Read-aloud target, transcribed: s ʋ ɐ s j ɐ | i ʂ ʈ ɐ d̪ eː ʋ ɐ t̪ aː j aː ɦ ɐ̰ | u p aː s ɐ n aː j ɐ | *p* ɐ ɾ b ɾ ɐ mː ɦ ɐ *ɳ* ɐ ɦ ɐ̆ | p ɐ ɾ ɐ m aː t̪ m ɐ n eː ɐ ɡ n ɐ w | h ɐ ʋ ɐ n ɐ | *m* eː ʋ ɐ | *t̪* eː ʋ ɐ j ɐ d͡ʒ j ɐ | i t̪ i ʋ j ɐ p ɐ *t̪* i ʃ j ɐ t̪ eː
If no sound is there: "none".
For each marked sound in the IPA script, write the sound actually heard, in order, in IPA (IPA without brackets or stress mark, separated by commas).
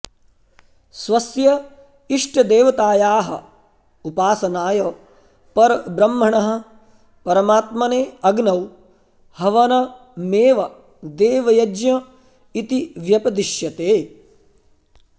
p, ɳ, m, d̪, d̪